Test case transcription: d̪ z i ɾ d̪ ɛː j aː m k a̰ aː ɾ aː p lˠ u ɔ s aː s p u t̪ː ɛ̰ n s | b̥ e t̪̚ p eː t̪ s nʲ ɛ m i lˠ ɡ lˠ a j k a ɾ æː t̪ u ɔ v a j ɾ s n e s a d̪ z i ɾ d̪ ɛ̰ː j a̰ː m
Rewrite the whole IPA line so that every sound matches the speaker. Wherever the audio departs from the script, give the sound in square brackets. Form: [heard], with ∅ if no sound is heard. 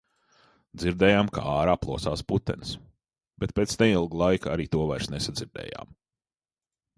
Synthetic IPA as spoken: d̪ z i ɾ d̪ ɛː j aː m k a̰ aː ɾ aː p lˠ u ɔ s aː s p u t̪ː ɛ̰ n s | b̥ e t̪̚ p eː t̪ s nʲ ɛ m i lˠ ɡ lˠ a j k a ɾ [iː] t̪ u ɔ v a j ɾ s n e s a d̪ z i ɾ d̪ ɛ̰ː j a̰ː m